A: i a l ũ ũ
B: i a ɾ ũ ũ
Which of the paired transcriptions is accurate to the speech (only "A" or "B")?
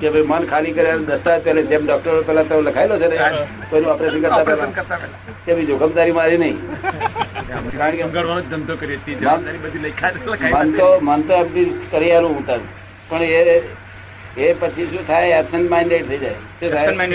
A